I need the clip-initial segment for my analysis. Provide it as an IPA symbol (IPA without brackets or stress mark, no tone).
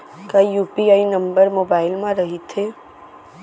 k